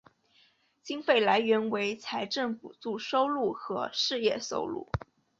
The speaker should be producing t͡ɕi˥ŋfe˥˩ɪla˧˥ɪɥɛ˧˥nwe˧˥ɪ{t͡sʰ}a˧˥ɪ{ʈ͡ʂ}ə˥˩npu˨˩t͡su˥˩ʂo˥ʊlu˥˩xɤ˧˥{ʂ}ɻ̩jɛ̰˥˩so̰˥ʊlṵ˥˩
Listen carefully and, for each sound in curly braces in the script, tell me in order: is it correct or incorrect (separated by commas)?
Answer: correct, correct, correct